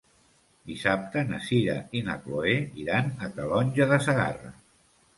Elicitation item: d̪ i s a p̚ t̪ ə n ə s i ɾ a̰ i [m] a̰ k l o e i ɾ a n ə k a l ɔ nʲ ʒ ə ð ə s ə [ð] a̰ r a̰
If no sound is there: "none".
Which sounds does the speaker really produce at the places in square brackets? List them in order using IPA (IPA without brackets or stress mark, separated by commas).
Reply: n, ɣ